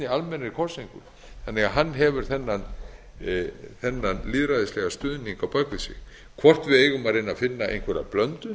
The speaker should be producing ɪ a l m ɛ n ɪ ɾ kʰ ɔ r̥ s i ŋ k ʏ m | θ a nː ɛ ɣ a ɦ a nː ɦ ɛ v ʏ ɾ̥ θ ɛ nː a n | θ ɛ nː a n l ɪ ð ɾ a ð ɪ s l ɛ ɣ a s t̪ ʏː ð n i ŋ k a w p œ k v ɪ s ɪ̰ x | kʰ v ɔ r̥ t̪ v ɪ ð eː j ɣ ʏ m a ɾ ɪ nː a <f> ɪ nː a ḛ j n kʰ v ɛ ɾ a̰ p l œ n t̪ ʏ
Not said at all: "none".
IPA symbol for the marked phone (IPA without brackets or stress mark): f